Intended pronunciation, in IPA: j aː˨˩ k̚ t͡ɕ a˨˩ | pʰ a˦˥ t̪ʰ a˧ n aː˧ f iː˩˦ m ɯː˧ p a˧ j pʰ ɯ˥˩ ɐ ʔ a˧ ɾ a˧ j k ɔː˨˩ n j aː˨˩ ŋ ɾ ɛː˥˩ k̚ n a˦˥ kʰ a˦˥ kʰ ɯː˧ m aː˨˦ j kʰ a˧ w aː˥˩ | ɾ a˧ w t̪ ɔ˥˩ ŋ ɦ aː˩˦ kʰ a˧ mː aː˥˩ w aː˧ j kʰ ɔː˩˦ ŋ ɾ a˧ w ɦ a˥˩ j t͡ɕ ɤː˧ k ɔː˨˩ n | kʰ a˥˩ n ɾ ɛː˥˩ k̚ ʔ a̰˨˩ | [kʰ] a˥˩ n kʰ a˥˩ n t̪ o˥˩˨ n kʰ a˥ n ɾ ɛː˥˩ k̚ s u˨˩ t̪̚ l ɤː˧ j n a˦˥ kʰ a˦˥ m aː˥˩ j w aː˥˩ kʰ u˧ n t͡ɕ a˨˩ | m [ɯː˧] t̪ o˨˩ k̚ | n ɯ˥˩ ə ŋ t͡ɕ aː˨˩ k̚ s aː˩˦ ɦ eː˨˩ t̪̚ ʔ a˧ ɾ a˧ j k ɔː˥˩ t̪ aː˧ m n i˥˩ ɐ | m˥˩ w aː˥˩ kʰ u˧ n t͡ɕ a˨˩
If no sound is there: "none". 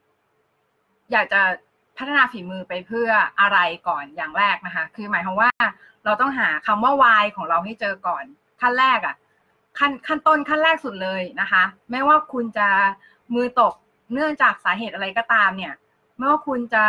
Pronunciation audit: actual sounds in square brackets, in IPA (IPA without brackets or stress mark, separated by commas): kʰ, ɯː˧